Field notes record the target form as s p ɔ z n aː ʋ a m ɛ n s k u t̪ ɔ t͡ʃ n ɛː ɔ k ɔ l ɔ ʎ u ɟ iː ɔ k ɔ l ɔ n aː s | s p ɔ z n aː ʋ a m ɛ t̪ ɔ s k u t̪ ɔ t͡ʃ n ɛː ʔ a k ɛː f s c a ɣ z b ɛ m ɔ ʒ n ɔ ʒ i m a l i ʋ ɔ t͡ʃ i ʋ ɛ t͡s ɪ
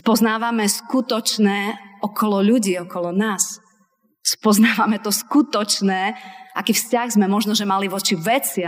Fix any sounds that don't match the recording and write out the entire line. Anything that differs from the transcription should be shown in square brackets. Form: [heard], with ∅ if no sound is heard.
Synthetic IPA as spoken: s p ɔ z n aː ʋ a m ɛ [∅] s k u t̪ ɔ t͡ʃ n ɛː ɔ k ɔ l ɔ ʎ u ɟ iː ɔ k ɔ l ɔ n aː s | s p ɔ z n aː ʋ a m ɛ t̪ ɔ s k u t̪ ɔ t͡ʃ n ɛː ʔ a k [iː] f s c a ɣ z [m] ɛ m ɔ ʒ n ɔ ʒ [ɛ] m a l i ʋ ɔ t͡ʃ i ʋ ɛ t͡s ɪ